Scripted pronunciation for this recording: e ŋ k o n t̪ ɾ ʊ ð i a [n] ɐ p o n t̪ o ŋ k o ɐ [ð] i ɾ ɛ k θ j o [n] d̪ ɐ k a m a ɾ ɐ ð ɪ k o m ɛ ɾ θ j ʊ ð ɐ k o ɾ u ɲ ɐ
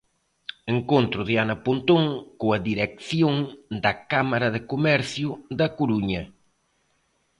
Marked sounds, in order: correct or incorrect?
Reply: correct, correct, incorrect

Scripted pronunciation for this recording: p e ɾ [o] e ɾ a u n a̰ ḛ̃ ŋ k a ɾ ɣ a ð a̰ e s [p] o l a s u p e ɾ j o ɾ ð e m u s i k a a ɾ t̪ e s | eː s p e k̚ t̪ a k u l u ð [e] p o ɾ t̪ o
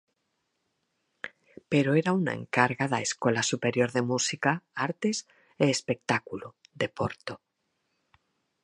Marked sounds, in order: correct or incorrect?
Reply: correct, incorrect, correct

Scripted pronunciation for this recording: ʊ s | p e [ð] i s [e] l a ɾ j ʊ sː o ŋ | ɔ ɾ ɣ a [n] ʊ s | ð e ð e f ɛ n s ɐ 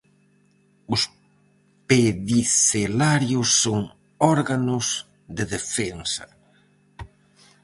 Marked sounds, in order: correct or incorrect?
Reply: correct, correct, correct

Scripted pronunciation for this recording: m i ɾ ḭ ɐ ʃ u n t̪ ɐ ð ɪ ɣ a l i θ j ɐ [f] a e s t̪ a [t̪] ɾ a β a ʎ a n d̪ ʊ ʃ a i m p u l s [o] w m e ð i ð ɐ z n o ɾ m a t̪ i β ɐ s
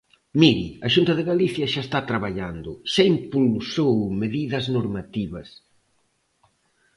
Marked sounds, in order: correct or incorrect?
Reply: incorrect, correct, correct

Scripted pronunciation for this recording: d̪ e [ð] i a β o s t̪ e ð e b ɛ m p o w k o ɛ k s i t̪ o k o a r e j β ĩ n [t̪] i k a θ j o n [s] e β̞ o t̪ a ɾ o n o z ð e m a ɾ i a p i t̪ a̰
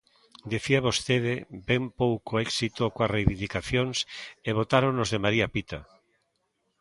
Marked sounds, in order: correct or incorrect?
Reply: incorrect, incorrect, correct

